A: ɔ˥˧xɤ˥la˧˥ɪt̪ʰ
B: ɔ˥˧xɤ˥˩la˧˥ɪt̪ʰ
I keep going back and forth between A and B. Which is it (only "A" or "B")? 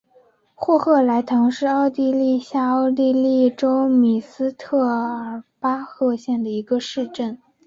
B